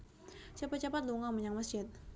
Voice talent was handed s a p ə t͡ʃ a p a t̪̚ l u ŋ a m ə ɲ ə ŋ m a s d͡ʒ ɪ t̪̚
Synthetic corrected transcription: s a p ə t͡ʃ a p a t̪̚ l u ŋ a m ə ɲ a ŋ m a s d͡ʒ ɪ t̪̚